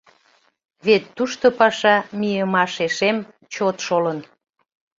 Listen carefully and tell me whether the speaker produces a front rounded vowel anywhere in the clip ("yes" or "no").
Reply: no